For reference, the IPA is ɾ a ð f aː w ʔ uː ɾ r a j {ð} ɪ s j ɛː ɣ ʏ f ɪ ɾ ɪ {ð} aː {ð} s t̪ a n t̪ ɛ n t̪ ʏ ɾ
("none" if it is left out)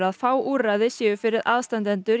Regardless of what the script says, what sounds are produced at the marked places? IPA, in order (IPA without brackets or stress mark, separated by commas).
ð, ð, ð